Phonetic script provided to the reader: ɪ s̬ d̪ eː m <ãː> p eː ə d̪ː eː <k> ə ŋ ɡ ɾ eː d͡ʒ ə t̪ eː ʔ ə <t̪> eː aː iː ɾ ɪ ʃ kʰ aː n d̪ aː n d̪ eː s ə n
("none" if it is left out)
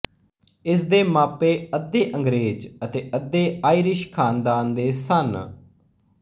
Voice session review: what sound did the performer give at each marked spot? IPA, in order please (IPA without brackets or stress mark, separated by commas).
aː, ʔ, d̪